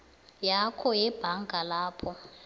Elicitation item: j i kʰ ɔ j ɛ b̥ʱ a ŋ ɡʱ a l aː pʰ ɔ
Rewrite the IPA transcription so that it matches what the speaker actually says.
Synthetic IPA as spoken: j a kʰ ɔ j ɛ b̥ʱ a ŋ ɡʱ a l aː pʰ ɔ